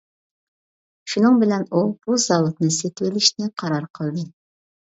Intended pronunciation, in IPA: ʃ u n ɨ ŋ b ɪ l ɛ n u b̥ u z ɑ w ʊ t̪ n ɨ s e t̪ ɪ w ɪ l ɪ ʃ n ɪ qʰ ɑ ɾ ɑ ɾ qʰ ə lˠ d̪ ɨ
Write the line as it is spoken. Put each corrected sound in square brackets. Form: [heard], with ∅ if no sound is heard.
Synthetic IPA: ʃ u n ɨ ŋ b ɪ l ɛ n u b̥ u z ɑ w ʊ t̪ n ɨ s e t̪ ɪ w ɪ l ɪ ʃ n ɪ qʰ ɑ ɾ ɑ ɾ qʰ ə lˠ d̪ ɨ